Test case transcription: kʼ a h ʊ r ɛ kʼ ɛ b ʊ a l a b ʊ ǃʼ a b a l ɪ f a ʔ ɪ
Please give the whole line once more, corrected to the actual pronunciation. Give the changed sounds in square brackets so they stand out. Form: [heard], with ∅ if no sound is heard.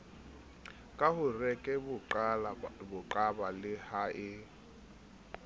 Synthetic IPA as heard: kʼ a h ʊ r ɛ kʼ ɛ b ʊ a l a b ʊ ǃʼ a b a l ɪ [h] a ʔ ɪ

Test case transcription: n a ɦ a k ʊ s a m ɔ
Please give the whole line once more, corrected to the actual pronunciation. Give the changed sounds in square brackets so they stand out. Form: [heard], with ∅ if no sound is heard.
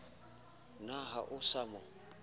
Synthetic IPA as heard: n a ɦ a [ʔ] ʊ s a m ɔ

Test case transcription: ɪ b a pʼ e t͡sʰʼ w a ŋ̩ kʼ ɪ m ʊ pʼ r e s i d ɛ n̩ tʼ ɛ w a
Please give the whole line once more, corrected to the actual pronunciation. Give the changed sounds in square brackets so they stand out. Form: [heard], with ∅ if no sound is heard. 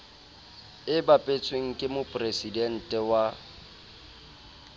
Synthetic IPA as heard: ɪ b a pʼ e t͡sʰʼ w [e] ŋ̩ kʼ ɪ m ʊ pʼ r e s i d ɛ n̩ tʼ ɛ w a

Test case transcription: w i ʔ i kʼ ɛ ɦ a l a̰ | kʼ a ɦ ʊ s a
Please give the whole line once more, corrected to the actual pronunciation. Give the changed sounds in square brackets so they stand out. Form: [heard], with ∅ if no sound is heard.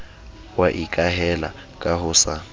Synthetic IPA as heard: w [a] ʔ i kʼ [a] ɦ [ɛ] l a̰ | kʼ a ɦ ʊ s a

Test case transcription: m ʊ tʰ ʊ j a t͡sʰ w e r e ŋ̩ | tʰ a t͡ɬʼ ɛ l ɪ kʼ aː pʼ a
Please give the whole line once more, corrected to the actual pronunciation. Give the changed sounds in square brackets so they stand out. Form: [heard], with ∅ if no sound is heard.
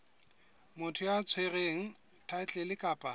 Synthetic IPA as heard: m ʊ tʰ ʊ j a t͡sʰ w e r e ŋ̩ | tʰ a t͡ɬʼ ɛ l ɪ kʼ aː pʼ a

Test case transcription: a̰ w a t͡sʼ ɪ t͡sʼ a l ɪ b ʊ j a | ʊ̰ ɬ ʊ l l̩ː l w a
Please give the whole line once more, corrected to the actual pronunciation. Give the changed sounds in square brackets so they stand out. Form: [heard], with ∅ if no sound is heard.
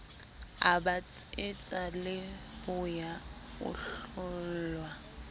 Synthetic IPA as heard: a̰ [b] a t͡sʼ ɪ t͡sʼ a l ɪ b ʊ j a | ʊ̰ ɬ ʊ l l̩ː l w a

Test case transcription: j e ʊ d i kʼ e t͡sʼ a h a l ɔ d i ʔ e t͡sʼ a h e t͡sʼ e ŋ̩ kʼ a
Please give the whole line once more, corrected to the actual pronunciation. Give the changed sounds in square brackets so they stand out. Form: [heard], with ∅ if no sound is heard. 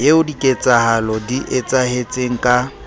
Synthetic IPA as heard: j e ʊ d i kʼ e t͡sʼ a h a l ɔ d i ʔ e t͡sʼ a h e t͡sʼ e ŋ̩ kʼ a

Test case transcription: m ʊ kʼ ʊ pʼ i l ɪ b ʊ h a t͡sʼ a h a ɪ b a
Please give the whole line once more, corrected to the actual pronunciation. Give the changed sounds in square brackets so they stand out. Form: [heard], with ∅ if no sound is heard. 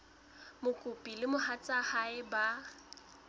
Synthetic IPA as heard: m ʊ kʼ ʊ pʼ i l ɪ [m] ʊ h a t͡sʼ a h a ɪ b a

